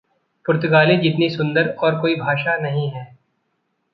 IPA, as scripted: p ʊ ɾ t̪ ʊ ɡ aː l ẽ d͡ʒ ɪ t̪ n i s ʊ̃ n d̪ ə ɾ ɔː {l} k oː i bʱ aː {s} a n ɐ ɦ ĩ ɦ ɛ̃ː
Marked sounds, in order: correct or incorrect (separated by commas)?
incorrect, incorrect